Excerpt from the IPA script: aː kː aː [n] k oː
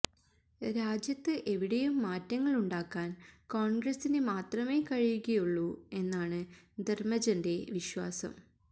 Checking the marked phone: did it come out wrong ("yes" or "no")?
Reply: no